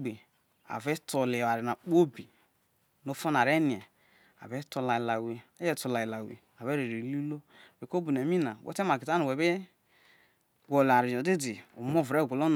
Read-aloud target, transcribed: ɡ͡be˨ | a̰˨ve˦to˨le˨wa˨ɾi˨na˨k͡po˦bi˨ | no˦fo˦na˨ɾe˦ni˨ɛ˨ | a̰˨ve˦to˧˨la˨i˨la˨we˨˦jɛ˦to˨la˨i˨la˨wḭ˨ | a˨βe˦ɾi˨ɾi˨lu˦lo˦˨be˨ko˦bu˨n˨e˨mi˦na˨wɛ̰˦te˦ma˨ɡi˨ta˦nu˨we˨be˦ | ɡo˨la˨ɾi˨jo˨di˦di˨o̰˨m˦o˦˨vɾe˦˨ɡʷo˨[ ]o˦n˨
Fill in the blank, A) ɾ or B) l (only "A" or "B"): B